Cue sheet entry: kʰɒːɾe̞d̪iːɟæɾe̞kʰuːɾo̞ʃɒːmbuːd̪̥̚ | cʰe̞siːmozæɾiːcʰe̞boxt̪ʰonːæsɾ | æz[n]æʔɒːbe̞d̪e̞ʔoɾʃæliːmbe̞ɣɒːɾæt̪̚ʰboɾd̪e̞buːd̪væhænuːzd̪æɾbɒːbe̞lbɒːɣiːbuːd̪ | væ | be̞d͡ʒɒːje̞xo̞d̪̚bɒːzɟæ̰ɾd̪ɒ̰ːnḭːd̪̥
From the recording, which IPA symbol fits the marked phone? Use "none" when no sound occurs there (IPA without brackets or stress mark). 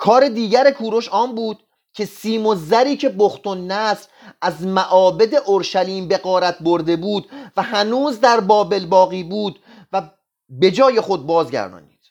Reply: m